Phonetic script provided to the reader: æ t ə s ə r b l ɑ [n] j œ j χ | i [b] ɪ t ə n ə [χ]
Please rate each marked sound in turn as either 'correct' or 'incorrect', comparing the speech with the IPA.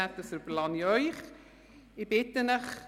correct, correct, correct

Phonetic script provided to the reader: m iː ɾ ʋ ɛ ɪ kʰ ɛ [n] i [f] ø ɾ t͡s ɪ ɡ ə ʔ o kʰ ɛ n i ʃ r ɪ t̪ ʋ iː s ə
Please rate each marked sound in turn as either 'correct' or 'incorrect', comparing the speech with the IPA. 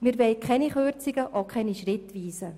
correct, incorrect

